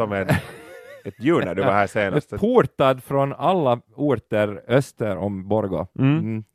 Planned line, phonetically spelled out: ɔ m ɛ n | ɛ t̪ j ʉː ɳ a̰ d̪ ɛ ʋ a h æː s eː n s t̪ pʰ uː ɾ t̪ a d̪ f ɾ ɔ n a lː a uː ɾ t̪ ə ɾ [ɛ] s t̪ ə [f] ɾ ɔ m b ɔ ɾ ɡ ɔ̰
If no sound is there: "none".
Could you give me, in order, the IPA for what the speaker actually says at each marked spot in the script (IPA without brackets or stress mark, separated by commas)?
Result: œ, none